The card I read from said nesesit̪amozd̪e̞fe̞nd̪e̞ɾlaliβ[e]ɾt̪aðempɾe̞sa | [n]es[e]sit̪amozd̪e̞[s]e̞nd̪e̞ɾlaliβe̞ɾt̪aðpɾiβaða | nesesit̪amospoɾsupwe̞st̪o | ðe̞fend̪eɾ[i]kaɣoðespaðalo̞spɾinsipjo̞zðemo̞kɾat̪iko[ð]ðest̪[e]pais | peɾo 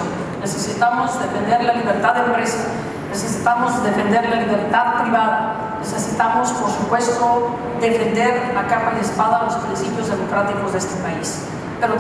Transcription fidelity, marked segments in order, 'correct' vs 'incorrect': correct, correct, correct, incorrect: f, incorrect: a, incorrect: z, correct

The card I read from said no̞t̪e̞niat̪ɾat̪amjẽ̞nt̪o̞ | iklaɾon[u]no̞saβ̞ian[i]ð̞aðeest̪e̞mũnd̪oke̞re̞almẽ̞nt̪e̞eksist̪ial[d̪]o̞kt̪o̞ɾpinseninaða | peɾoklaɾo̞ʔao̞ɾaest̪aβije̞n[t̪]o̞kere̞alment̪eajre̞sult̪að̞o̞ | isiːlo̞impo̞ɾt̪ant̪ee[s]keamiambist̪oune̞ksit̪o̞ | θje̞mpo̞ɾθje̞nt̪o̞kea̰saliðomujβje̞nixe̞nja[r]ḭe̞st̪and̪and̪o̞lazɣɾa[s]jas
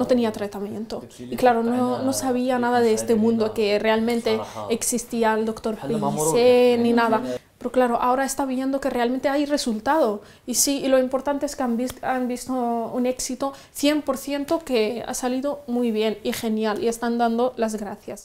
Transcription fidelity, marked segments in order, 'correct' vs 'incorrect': incorrect: o, incorrect: a, correct, incorrect: d̪, correct, incorrect: l, incorrect: θ

